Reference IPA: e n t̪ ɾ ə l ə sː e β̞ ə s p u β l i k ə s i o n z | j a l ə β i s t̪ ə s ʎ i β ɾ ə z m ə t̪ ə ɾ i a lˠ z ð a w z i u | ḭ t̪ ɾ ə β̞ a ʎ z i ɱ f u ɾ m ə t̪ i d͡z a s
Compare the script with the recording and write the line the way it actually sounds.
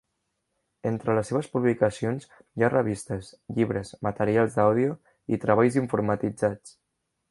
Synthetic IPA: e n t̪ ɾ ə l ə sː e β̞ ə s p u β l i k ə s i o n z | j a r ə β i s t̪ ə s ʎ i β ɾ ə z m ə t̪ ə ɾ i a lˠ z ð a w ð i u | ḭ t̪ ɾ ə β̞ a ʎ z i ɱ f u ɾ m ə t̪ i d͡z a t͡s